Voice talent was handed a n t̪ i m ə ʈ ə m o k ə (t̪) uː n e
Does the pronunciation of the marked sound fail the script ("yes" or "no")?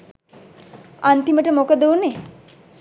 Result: yes